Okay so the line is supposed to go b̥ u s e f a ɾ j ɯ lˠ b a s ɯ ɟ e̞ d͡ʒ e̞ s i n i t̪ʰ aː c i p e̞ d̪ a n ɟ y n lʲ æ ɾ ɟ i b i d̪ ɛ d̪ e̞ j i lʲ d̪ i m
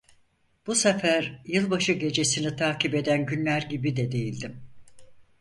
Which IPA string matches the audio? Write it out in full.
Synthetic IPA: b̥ u s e f æ ɾ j ɯ lˠ b a ʃ ɯ ɟ e̞ d͡ʒ e̞ s i n i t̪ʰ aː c i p e̞ d̪ æ n ɟ y n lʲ æ ɾ ɟ i b i d̪ ɛ d̪ e̞ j i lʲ d̪ i m